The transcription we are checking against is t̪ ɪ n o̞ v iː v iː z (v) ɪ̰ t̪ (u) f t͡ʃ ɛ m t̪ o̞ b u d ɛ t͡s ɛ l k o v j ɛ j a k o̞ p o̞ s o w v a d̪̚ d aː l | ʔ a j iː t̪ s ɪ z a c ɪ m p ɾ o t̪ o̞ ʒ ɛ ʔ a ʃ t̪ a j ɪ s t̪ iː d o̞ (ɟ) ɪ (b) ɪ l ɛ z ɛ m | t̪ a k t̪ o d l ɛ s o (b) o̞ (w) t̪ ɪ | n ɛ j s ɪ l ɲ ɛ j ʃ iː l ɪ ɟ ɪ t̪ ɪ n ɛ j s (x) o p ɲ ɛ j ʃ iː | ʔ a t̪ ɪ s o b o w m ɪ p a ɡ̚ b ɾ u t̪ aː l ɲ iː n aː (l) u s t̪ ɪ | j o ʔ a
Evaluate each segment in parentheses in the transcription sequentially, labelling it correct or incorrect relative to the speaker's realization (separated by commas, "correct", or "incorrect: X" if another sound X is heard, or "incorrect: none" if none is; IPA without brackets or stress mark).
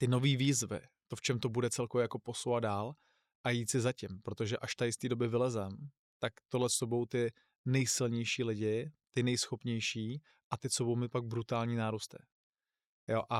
correct, incorrect: o, incorrect: b, incorrect: v, correct, correct, correct, incorrect: ɾ